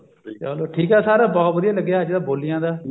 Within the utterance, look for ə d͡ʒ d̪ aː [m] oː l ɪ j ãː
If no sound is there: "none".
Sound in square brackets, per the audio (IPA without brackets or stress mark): b